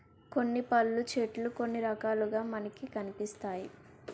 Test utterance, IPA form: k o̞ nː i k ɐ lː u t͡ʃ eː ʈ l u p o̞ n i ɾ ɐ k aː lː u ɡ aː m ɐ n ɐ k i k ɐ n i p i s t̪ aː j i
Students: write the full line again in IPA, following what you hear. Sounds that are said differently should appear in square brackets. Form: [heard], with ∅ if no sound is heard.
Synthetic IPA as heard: k o̞ nː i [p] ɐ lː u t͡ʃ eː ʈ l u [k] o̞ [nː] i ɾ ɐ k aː [l] u ɡ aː m ɐ n ɐ k i k ɐ n i p i s t̪ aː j i